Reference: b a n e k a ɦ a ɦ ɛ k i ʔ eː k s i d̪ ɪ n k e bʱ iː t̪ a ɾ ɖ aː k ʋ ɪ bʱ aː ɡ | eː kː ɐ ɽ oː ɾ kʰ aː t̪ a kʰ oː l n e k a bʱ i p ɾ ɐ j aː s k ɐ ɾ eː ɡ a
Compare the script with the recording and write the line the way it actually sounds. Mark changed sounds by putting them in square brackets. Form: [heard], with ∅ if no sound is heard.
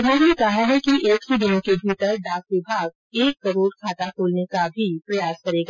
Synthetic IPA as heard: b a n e k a ɦ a ɦ ɛ k i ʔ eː k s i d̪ ɪ n k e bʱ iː t̪ [ə] ɾ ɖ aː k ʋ ɪ bʱ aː ɡ | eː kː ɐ [ɾ] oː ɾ kʰ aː t̪ a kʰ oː l n e k a bʱ i p ɾ ɐ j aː s k ɐ ɾ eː ɡ a